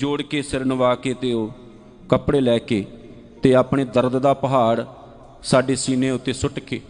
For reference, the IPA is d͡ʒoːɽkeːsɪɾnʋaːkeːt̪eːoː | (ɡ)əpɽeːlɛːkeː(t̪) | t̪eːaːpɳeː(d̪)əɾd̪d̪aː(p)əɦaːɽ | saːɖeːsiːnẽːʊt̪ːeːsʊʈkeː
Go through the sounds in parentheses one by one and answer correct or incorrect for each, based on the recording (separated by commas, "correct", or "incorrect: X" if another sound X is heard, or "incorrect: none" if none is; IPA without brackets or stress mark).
incorrect: k, incorrect: none, correct, correct